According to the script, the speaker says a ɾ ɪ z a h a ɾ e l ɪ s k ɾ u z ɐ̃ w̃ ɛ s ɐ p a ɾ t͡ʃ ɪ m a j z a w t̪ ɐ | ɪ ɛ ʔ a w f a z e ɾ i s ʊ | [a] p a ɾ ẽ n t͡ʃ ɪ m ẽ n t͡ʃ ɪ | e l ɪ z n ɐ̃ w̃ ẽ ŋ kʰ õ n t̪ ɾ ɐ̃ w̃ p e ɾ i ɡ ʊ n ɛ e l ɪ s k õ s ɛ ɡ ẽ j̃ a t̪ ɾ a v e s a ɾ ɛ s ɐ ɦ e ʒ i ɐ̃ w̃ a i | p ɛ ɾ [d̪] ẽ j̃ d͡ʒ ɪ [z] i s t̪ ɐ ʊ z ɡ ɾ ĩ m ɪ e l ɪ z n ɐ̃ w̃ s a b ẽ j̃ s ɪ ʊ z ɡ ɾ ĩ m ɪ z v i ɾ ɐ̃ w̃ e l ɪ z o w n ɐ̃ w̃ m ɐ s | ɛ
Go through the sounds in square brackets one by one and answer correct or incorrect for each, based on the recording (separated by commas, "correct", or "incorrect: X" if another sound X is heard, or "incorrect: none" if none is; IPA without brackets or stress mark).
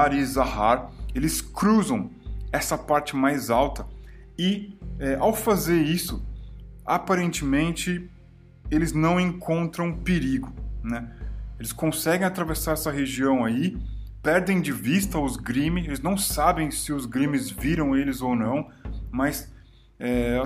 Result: correct, correct, incorrect: v